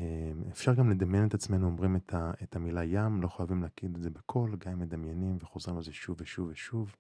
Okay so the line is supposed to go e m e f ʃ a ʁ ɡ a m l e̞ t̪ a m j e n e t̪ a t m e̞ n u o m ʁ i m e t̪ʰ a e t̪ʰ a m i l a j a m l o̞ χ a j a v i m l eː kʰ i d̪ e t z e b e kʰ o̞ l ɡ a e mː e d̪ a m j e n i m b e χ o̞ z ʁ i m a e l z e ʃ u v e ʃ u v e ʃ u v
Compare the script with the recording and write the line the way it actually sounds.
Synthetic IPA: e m e f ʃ a ʁ ɡ a m l e̞ d̪ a m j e n e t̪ a t͡s m e̞ n u o m ʁ i m e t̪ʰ a e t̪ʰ a m i l a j a m l o̞ χ a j a v i m l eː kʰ i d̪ e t z e b e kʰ o̞ l ɡ a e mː e d̪ a m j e n i m v e χ o̞ z ʁ i m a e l z e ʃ u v e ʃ u v e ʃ u v